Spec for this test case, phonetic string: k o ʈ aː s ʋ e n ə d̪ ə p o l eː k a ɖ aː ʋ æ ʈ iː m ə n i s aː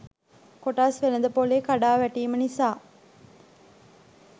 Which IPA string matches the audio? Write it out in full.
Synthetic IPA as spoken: k o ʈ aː s ʋ e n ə d̪ ə p o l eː k a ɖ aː ʋ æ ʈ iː m ə n i s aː